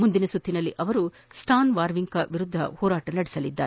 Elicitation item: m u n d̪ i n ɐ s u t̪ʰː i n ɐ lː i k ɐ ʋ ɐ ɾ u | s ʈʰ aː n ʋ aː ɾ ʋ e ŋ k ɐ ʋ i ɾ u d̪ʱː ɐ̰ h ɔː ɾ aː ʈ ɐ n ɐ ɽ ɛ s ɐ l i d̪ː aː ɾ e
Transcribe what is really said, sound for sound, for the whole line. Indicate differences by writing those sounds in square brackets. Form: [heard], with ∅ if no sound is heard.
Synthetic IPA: m u n d̪ i n ɐ s u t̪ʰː i n ɐ lː i [ʔ] ɐ ʋ ɐ ɾ u | s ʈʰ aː n ʋ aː ɾ ʋ [i] ŋ k ɐ ʋ i ɾ u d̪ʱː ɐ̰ h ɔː ɾ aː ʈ ɐ n ɐ ɽ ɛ s ɐ l i d̪ː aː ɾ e